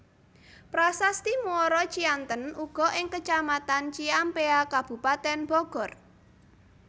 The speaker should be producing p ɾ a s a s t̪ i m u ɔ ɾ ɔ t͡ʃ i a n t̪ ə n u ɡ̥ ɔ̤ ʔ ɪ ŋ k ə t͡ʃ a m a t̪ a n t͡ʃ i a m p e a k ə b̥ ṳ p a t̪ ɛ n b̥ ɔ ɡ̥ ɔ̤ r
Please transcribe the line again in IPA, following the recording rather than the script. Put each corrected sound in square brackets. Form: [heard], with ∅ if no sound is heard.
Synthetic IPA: p ɾ a s a s t̪ i m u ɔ ɾ ɔ t͡ʃ i a n t̪ ə n u ɡ̥ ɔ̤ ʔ ɪ ŋ k ə t͡ʃ a m a t̪ a n t͡ʃ i a m p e a k [a] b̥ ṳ p a t̪ ɛ n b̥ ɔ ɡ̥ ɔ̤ r

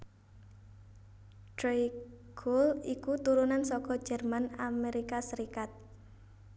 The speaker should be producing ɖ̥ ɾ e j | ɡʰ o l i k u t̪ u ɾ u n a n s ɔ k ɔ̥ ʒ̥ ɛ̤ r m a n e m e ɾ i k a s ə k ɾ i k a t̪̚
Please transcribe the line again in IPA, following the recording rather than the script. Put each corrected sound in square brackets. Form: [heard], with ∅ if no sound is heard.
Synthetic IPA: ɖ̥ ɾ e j | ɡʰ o l i k u t̪ u ɾ u n a n s ɔ k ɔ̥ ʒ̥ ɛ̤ r m a n [a] m e ɾ i k a s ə [∅] ɾ i k a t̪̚

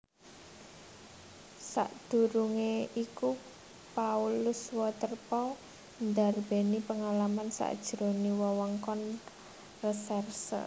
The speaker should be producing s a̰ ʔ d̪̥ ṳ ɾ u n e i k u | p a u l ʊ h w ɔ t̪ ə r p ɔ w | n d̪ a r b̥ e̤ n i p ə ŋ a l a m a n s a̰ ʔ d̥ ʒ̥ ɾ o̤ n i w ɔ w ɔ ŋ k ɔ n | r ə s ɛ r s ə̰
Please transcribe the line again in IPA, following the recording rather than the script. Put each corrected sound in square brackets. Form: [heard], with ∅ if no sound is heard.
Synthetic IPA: s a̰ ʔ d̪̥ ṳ ɾ u [ŋ] e i k u | p a u l ʊ [s] w ɔ t̪ ə r p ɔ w | n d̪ a r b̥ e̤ n i p ə ŋ a l a m a n s a̰ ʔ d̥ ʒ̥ ɾ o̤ n i w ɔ w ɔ ŋ k ɔ n | r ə s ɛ r s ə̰

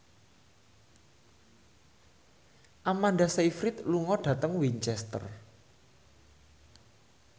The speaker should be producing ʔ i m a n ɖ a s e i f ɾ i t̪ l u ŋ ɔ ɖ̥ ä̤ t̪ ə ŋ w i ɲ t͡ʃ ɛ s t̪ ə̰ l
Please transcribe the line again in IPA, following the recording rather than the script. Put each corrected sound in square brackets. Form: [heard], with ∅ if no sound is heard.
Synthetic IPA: ʔ [a] m a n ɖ a s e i f ɾ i t̪ l u ŋ ɔ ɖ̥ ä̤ t̪ ə ŋ w i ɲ t͡ʃ ɛ s t̪ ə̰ [r]

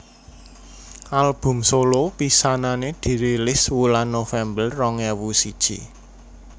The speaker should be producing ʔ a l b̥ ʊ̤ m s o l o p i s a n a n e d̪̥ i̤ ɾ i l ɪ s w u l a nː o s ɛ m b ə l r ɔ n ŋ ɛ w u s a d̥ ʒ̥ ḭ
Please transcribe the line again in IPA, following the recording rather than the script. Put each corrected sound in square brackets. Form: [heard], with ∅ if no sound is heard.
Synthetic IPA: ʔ a l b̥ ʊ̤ m s o l o p i s a n a n e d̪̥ i̤ ɾ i l ɪ s w u l a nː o [f] ɛ m b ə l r ɔ [∅] ŋ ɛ w u s [i] d̥ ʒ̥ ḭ

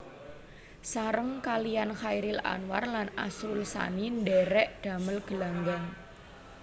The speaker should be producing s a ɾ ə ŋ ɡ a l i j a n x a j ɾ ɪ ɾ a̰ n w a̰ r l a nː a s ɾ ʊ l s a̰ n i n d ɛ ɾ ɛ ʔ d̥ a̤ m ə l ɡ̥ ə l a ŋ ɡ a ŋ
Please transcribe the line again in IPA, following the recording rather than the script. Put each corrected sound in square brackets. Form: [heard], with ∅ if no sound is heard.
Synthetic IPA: s a ɾ ə ŋ [k] a l i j a n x a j ɾ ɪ [l] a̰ n w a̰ r l a [n] a s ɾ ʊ l s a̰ n i n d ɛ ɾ ɛ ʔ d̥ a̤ m ə l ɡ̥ ə l a ŋ ɡ a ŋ

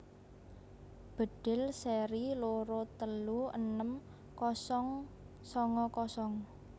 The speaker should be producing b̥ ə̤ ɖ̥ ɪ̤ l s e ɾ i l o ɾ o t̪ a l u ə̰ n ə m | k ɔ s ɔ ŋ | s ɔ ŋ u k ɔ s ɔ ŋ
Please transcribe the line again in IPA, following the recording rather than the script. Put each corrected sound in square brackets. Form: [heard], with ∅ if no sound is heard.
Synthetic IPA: b̥ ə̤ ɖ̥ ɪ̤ l s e ɾ i l o ɾ o t̪ [ə] l u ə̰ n ə m | k ɔ s ɔ ŋ | s ɔ ŋ [ɔ] k ɔ s ɔ ŋ

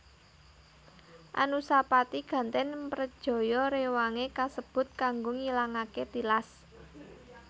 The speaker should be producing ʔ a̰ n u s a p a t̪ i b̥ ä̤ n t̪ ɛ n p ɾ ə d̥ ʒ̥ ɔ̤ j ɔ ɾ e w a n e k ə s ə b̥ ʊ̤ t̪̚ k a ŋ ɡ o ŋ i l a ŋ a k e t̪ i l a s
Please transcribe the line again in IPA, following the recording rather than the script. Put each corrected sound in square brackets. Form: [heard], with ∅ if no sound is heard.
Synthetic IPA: ʔ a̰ n u s a p a t̪ i [ɡ̥] ä̤ n t̪ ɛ n p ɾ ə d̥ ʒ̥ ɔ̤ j ɔ ɾ e w a [ŋ] e k [a] s ə b̥ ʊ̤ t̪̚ k a ŋ ɡ o ŋ i l a ŋ a k e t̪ i l a s

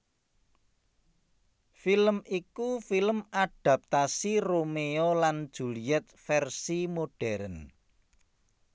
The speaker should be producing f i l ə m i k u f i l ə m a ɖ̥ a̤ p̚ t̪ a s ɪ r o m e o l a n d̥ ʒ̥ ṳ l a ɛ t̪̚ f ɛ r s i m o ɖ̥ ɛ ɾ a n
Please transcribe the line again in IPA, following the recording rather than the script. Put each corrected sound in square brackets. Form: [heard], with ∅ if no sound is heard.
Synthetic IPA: f i l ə m i k u f i l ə m a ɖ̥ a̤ p̚ t̪ a s [i] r o m e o l a n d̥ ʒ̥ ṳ l [i] ɛ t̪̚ f ɛ r s i m o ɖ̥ ɛ ɾ [ə] n

